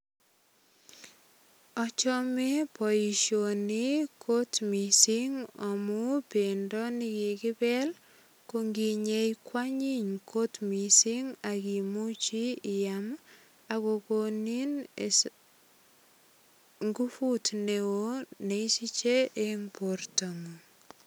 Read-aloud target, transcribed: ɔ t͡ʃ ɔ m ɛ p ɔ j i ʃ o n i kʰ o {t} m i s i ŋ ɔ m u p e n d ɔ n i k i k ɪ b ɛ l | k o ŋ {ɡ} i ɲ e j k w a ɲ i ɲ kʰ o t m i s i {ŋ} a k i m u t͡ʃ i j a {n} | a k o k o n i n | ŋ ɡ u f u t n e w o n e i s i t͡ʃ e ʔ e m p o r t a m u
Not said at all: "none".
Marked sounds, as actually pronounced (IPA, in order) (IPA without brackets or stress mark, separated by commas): t, ɡ, ŋ, m